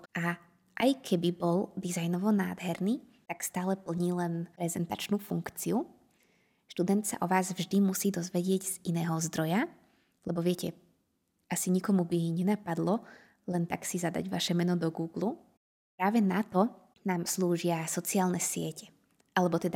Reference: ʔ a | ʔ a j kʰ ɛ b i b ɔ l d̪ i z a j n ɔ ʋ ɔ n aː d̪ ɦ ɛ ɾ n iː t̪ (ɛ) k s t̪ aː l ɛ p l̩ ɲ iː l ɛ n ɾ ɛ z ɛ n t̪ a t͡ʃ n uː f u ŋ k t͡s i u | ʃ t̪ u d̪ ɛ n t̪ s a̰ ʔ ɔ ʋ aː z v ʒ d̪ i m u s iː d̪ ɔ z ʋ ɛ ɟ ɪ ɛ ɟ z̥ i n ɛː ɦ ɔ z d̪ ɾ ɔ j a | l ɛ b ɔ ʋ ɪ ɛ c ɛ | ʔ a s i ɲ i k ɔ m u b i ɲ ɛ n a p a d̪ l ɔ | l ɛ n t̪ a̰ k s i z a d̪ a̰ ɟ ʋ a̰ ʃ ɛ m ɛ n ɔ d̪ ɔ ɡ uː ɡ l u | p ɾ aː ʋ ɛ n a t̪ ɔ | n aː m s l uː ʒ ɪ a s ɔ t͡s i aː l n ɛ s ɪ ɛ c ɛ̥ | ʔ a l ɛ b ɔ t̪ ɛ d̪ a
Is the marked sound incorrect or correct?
incorrect